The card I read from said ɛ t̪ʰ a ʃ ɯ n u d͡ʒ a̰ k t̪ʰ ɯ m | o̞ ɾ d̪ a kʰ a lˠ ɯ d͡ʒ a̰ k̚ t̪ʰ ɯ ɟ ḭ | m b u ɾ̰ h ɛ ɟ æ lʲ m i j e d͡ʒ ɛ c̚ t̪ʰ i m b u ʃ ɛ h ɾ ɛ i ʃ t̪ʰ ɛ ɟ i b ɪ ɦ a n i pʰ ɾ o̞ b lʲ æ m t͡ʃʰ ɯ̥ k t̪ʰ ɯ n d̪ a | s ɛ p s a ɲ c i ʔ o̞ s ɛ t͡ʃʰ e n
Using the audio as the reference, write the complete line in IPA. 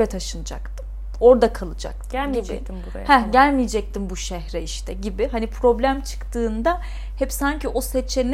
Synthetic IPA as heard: ɛ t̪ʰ a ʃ ɯ n ɯ d͡ʒ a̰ k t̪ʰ ɯ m | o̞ ɾ d̪ a kʰ a lˠ ɯ d͡ʒ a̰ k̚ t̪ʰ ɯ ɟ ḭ | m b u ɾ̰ h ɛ ɟ æ lʲ m i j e d͡ʒ ɛ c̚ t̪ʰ i m b u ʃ ɛ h ɾ ɛ i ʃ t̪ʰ ɛ ɟ i b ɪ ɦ a n i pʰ ɾ o̞ b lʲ æ m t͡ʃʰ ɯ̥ k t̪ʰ ɯː n d̪ a | h ɛ p s a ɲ c i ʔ o̞ s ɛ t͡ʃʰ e n